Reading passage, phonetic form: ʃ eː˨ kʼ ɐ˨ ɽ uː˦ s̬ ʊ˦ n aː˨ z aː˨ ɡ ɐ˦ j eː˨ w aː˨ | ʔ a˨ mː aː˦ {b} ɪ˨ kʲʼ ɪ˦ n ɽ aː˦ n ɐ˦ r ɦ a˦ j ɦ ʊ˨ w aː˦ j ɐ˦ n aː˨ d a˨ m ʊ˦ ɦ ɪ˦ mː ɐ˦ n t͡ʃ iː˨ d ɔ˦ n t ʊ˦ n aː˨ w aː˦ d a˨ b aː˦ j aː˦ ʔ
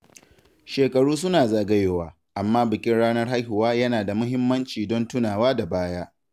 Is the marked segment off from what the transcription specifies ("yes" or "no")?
no